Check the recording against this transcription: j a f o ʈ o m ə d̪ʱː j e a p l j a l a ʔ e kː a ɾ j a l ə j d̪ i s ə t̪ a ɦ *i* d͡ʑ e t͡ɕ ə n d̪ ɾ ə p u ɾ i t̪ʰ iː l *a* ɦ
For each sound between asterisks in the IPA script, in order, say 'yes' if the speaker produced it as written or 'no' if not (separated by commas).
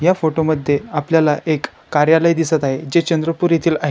no, yes